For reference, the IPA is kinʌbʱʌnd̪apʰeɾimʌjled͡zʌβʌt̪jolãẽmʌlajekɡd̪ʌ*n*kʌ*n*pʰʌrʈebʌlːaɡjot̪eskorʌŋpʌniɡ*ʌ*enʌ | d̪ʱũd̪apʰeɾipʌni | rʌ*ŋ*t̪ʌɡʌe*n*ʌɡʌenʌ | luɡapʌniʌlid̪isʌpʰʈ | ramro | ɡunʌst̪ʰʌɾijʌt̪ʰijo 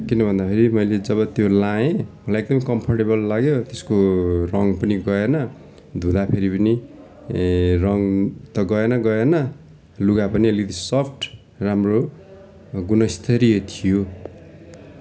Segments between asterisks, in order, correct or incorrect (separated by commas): incorrect, incorrect, correct, correct, correct